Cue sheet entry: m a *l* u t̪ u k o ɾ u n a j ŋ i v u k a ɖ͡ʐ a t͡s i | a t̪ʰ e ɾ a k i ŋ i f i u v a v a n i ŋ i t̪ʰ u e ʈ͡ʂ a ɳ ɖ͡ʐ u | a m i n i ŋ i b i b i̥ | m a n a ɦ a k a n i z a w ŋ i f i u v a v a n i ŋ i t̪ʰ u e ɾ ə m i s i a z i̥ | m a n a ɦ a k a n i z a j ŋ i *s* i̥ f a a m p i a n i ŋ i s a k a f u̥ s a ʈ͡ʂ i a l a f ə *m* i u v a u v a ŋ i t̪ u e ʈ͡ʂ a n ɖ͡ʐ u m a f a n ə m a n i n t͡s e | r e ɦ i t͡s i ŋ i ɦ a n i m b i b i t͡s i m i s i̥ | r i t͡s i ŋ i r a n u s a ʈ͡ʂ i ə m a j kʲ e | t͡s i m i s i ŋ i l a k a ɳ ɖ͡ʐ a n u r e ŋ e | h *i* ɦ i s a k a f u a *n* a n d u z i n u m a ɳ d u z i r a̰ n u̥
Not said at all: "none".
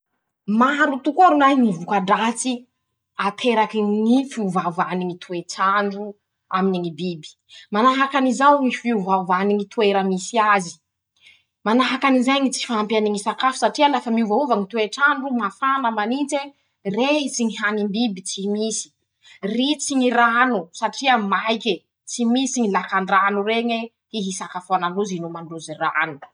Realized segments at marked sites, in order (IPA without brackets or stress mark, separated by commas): ɾ, t͡s, m, i, n